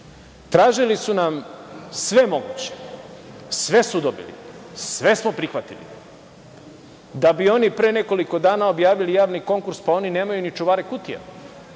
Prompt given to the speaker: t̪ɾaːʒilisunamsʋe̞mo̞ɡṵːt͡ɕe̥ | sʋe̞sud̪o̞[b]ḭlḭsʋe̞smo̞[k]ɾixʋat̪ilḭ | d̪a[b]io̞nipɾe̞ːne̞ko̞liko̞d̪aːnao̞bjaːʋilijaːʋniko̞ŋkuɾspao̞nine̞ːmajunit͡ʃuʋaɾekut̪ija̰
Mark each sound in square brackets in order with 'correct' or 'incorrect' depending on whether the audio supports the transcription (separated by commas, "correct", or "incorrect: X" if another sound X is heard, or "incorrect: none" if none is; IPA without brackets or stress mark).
correct, incorrect: p, correct